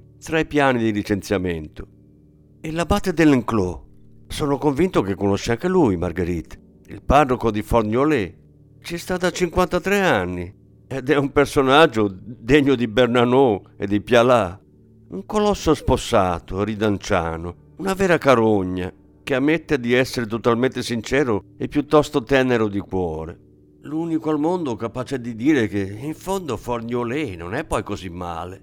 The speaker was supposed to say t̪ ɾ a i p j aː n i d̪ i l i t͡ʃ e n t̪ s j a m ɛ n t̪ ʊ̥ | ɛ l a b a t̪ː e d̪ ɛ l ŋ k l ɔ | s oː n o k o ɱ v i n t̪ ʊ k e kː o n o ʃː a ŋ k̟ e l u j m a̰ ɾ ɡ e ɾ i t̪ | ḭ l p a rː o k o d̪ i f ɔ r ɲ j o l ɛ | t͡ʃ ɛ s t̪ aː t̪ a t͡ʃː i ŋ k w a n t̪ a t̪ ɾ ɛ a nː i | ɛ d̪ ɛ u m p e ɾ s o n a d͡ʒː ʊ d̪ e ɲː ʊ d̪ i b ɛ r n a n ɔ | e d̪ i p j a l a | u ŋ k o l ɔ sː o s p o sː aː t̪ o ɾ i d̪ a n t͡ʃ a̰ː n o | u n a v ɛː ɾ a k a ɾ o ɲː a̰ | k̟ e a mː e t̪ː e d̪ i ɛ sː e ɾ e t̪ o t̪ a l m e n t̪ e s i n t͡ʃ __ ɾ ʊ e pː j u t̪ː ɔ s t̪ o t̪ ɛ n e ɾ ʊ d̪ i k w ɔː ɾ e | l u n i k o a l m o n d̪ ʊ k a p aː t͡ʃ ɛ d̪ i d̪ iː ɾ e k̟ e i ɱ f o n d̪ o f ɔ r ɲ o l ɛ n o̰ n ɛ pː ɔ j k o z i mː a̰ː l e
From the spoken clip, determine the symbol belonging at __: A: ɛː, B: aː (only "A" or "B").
A